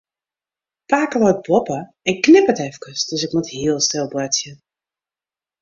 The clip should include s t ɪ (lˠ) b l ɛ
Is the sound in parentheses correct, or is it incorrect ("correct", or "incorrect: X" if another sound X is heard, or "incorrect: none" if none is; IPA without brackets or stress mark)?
correct